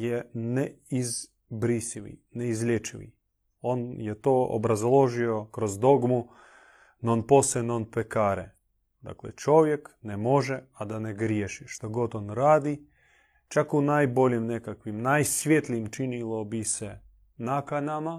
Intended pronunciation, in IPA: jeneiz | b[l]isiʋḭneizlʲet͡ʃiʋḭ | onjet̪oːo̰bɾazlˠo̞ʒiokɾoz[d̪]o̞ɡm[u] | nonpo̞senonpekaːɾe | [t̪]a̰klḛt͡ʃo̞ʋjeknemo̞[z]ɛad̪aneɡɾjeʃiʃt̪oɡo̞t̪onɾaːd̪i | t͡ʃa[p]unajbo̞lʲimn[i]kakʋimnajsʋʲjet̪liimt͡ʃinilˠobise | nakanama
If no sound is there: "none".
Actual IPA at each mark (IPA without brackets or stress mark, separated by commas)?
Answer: ɾ, d̪, u, d̪, ʒ, k, e